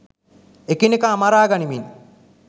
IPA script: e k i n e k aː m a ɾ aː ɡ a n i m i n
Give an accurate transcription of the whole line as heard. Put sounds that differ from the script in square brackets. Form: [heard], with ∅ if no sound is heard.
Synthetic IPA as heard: e k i n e k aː m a ɾ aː ɡ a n i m i n